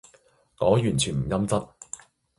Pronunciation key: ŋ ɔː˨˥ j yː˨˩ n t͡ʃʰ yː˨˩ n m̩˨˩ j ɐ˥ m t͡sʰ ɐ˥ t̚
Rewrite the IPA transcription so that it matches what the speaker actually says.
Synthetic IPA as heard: ŋ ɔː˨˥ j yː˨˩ n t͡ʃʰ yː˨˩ n m̩˨˩ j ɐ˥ m t͡s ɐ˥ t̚

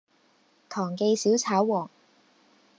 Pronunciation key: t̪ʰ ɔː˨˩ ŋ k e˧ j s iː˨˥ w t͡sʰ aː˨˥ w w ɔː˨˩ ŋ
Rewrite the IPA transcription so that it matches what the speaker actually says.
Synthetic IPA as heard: t̪ʰ ɔː˨˩ ŋ k e˧ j s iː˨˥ w t͡sʰ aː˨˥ w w ɔː˨˩ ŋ

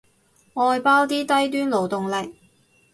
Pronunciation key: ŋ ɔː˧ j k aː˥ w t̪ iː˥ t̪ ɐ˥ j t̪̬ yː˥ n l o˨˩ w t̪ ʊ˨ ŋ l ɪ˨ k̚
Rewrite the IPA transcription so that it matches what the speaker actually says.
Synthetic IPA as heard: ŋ ɔː˧ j p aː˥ w t̪ iː˥ t̪ ɐ˥ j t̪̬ yː˥ n l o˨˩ w t̪ ʊ˨ ŋ l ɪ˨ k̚

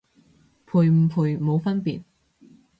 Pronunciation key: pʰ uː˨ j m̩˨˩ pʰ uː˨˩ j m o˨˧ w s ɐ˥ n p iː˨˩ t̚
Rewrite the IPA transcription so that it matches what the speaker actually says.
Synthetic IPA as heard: pʰ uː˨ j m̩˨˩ pʰ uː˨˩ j m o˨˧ w f ɐ˥ n p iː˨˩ t̚

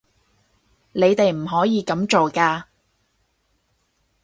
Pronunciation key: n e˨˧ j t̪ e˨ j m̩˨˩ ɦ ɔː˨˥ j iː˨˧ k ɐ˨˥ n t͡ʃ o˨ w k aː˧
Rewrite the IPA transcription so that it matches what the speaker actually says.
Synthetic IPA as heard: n e˨˧ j t̪ e˨ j m̩˨˩ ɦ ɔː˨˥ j iː˨˧ k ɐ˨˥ m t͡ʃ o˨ w k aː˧

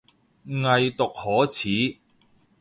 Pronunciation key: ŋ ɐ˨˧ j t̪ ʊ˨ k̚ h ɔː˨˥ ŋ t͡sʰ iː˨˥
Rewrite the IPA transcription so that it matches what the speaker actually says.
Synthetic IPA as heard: ŋ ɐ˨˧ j t̪ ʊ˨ k̚ h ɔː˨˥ t͡sʰ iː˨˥

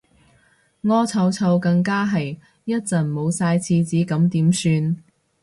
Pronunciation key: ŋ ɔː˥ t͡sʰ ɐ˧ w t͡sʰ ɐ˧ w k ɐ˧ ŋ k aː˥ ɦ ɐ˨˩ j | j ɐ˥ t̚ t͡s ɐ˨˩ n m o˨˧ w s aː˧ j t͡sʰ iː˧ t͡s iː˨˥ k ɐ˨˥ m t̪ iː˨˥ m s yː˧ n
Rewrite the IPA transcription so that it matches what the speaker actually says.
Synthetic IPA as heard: ŋ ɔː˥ t͡sʰ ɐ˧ w t͡sʰ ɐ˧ w k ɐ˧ ŋ k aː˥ ɦ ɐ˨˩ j | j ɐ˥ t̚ t͡s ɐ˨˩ n m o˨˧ w s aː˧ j t͡sʰ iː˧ t͡s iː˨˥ k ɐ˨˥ m t̪ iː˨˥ m s yː˧ n

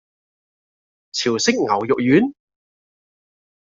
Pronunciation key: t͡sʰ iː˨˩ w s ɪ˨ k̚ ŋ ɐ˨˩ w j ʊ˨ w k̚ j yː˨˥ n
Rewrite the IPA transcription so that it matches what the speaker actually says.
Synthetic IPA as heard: t͡sʰ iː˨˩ w s ɪ˥ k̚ ŋ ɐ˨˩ w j ʊ˨ k̚ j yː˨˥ n

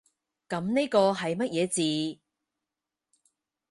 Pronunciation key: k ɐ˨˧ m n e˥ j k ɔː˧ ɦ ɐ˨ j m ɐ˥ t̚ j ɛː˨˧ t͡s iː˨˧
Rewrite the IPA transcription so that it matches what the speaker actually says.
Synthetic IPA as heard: k ɐ˨˧ m n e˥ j k ɔː˧ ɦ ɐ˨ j m ɐ˥ t̚ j ɛː˨˧ t͡s iː˨˧

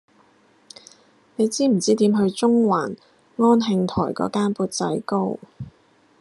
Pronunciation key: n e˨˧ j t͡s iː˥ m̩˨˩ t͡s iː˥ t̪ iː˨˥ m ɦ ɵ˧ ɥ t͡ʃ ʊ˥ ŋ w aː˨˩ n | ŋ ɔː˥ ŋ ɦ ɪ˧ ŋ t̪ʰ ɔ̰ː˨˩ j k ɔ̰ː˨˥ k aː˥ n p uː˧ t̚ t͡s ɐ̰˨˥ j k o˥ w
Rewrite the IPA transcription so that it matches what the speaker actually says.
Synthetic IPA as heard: n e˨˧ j t͡s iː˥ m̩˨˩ t͡s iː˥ t̪ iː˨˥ m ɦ ɵ˧ ɥ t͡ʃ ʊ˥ ŋ w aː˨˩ n | ŋ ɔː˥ n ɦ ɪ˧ ŋ t̪ʰ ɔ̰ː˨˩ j k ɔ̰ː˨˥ k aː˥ n p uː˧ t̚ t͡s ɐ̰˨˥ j k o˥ w

